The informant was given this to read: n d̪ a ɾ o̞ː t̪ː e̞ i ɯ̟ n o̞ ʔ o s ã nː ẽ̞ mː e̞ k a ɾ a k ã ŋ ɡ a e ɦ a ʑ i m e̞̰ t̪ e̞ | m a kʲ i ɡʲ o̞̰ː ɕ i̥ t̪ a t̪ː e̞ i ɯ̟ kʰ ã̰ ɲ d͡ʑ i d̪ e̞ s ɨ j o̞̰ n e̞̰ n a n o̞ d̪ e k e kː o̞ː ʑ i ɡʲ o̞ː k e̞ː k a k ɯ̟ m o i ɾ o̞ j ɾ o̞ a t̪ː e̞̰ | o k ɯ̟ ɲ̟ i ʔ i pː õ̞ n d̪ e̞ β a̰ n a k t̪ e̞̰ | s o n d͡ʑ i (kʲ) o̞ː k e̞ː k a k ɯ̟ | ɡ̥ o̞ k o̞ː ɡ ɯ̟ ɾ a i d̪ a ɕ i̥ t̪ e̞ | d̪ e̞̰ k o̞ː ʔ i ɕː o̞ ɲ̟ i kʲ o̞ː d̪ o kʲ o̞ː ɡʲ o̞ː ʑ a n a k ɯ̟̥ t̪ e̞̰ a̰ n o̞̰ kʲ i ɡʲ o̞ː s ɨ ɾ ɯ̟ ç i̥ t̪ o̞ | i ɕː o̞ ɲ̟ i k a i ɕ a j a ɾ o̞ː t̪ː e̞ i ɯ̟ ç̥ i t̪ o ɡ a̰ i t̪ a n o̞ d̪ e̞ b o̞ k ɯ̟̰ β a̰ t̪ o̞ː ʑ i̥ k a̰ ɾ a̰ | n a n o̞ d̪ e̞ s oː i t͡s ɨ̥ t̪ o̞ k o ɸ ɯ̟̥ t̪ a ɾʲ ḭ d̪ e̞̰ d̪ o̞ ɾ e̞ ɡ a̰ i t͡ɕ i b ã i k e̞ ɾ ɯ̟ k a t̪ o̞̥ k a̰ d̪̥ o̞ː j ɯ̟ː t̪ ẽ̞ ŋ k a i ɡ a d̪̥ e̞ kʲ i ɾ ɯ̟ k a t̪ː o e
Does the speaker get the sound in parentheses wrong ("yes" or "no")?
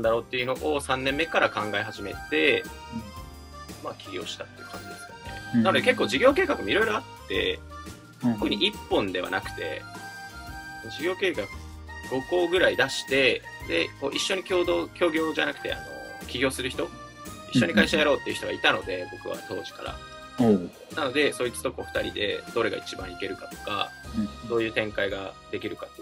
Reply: yes